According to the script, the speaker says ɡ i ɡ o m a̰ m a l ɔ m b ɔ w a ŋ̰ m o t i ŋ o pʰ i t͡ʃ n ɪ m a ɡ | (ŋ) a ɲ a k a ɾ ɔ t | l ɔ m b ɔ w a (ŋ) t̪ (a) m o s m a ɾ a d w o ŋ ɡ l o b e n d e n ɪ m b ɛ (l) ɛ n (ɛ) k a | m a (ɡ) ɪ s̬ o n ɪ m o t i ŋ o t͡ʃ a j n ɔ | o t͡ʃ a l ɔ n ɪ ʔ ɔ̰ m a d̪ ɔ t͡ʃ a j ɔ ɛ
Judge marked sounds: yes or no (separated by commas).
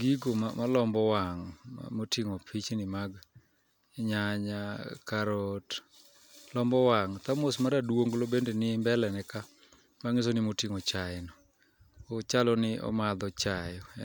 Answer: no, yes, yes, yes, yes, no